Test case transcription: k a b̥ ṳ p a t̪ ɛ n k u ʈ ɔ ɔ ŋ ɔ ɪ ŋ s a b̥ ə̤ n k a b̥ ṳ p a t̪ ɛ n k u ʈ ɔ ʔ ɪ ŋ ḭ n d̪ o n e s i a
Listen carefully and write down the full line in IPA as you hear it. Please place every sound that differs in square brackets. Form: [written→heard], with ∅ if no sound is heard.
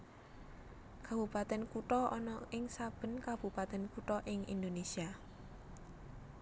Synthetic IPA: k a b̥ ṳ p a t̪ ɛ n k u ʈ ɔ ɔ [ŋ→n] ɔ ɪ ŋ s a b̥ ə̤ n k a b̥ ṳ p a t̪ ɛ n k u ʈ ɔ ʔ ɪ ŋ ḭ n d̪ o n e s i a